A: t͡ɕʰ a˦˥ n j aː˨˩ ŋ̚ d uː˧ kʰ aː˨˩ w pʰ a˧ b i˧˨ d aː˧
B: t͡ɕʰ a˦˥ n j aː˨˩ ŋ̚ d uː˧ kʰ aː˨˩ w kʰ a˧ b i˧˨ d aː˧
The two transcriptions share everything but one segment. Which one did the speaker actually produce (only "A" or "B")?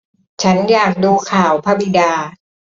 A